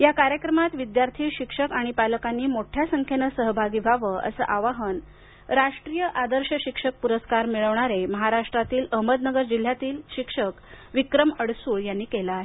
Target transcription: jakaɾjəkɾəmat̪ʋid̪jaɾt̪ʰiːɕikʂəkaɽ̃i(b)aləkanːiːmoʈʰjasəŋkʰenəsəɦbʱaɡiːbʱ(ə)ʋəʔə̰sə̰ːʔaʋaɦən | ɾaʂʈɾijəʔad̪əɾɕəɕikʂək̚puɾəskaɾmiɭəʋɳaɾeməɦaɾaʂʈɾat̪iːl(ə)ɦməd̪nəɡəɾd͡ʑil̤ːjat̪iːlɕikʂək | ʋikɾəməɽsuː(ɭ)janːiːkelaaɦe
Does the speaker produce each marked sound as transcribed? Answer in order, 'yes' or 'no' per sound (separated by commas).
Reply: no, no, yes, yes